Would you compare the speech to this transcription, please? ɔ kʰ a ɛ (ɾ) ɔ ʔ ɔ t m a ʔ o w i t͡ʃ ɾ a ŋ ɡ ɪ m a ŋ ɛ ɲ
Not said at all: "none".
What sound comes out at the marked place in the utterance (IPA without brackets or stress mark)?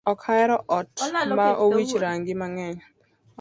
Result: ɾ